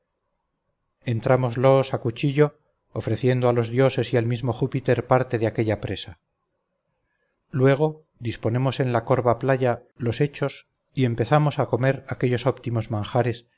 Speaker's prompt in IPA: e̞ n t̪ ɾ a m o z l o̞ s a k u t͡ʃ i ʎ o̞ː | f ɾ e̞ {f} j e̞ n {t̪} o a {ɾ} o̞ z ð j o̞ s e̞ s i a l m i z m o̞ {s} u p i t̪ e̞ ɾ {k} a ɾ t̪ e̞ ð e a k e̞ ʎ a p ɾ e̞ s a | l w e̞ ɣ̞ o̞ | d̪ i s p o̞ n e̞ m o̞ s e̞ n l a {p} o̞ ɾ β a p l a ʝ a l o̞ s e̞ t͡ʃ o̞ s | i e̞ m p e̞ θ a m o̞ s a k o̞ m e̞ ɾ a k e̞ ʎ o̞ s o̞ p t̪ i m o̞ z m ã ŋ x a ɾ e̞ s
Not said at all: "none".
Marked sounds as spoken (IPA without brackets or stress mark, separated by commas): θ, d̪, l, x, p, k